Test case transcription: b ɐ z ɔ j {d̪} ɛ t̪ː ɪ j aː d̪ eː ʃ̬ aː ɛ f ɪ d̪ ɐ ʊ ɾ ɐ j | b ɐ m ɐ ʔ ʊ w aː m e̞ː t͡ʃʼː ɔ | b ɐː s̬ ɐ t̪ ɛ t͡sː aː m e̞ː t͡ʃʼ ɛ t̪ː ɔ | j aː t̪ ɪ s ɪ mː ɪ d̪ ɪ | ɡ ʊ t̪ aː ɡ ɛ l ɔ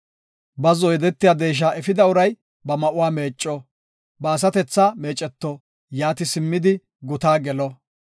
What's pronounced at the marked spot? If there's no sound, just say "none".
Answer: d̪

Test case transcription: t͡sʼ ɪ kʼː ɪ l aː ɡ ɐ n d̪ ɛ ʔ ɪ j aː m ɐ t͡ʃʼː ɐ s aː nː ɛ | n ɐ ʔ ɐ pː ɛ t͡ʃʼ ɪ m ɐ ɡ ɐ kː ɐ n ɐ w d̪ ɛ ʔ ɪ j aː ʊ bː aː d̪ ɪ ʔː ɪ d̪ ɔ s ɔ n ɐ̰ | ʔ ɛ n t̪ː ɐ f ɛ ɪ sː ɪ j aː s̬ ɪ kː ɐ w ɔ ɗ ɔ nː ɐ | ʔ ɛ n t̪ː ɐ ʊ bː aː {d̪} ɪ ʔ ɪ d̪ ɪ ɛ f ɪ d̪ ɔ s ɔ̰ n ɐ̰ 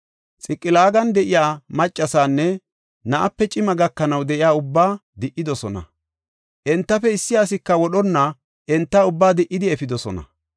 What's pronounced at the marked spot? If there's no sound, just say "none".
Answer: d̪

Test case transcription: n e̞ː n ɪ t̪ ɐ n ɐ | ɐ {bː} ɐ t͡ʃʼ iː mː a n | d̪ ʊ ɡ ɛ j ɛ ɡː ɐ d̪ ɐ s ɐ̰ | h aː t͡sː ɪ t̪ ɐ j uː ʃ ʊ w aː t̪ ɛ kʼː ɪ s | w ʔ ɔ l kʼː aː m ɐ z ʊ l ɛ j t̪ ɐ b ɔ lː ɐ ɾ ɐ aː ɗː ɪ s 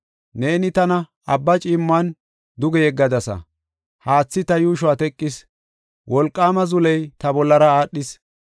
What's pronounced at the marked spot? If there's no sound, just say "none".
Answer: bː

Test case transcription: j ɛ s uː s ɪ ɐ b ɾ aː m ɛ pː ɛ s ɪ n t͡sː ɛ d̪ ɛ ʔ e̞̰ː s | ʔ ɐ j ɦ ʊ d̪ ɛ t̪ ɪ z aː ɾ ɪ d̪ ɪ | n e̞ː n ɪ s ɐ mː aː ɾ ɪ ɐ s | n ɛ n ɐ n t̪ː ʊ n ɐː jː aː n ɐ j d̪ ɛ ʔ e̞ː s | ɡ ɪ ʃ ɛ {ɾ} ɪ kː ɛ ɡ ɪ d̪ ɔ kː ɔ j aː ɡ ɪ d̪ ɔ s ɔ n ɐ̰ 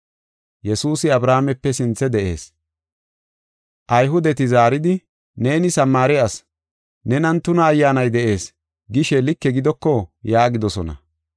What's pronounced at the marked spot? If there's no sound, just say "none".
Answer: l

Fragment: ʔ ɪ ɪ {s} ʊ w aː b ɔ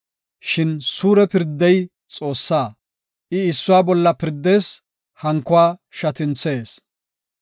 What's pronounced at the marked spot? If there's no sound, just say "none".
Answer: sː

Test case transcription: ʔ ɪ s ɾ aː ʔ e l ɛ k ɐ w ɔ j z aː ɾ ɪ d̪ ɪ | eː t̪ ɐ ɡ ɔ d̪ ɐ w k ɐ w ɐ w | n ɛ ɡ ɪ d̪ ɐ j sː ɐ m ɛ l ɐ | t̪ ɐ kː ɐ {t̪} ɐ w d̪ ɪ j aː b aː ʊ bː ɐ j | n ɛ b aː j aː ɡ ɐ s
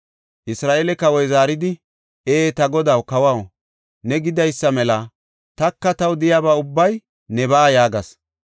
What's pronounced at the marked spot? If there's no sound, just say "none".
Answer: t̪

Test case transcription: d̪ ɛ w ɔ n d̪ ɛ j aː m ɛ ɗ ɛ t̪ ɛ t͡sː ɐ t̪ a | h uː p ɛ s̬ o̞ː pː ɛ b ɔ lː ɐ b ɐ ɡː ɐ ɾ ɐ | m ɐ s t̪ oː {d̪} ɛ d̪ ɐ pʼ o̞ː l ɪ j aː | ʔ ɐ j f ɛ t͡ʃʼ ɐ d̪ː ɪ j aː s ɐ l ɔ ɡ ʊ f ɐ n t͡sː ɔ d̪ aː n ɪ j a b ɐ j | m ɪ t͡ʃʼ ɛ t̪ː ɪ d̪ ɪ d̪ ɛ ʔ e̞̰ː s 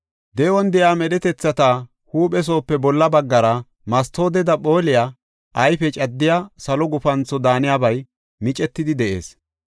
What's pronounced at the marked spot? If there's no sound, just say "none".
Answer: d̪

